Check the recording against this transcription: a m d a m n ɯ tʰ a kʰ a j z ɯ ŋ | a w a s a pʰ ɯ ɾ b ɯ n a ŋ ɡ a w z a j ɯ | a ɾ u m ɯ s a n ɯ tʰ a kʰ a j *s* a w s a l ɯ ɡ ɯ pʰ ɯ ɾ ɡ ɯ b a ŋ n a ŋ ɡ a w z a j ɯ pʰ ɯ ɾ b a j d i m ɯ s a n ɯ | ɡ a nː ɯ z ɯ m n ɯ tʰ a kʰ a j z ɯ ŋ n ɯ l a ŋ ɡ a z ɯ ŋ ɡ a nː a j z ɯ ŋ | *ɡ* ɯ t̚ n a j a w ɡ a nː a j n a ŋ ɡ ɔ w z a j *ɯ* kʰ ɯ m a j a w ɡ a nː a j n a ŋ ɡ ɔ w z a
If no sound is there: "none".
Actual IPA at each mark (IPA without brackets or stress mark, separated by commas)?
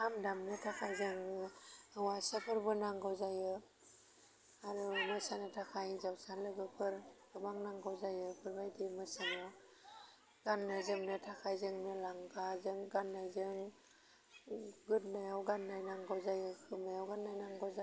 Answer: z, ɡ, ɯ